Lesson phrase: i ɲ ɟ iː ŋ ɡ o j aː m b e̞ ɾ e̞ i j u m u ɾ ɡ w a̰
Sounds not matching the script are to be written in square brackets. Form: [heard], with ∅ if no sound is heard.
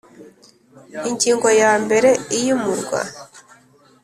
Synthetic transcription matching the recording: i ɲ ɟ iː ŋ ɡ o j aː m b e̞ ɾ e̞ i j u m u ɾ ɡ w a̰